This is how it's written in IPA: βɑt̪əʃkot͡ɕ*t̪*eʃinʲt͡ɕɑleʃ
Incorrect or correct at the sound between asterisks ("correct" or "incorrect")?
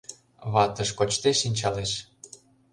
correct